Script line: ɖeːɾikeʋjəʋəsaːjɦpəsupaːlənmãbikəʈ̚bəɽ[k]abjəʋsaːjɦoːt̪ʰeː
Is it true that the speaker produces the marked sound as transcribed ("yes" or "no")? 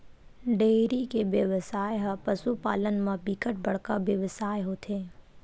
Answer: yes